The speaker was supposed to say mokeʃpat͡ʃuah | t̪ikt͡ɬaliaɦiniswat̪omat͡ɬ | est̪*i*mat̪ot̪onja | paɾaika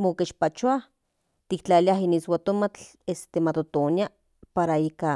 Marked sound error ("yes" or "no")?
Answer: yes